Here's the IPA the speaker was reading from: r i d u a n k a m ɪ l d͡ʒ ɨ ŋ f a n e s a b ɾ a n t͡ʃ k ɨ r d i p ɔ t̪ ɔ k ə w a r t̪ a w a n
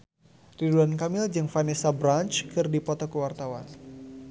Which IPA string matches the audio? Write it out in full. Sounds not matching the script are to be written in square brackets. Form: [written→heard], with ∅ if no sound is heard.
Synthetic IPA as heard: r i d u a n k a m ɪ l d͡ʒ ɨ ŋ f a n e s a b ɾ a n t͡ʃ k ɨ r d i p ɔ t̪ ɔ k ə w a r t̪ a w a n